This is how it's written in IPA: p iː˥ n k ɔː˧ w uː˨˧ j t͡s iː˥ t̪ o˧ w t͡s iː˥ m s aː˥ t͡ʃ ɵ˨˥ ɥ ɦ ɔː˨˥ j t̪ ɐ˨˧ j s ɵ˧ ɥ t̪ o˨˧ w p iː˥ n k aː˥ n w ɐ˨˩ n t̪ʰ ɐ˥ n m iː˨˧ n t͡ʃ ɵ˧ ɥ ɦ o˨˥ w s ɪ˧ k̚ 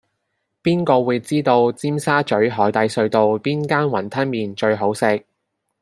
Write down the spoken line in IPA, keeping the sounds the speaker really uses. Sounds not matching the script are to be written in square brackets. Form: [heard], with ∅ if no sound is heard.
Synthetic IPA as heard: p iː˥ n k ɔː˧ w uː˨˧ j t͡s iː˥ t̪ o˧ w t͡s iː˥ m s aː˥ t͡ʃ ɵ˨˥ ɥ ɦ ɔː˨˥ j t̪ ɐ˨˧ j s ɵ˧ ɥ t̪ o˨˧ w p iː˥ n k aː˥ n w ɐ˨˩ n t̪ʰ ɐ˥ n m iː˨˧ n t͡ʃ ɵ˧ ɥ ɦ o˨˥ w s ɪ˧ k̚